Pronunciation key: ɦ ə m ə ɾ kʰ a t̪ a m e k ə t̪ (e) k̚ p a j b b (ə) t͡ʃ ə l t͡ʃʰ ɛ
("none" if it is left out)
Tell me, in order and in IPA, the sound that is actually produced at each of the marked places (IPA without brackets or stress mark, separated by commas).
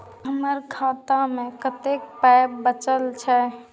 e, ə